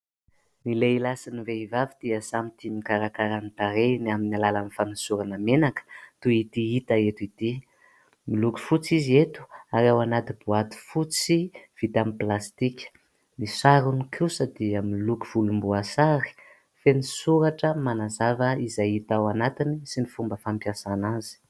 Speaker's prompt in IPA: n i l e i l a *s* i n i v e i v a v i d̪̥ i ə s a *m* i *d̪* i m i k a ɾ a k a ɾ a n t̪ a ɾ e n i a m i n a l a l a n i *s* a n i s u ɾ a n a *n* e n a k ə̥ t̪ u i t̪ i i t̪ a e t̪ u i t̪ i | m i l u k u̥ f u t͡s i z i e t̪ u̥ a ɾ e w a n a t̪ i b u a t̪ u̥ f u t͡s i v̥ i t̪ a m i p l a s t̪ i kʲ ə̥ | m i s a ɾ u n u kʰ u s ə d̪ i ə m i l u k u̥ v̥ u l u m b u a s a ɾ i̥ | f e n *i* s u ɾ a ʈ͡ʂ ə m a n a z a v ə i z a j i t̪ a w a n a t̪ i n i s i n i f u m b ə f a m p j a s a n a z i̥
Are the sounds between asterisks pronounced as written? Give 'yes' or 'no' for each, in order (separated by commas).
yes, yes, no, no, no, yes